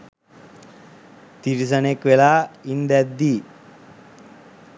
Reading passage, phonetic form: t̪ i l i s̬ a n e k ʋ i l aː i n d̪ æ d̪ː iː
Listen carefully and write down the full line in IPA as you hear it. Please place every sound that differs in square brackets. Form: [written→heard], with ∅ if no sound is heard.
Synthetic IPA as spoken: t̪ i [l→ɾ] i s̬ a n e k ʋ [i→e] l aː i n d̪ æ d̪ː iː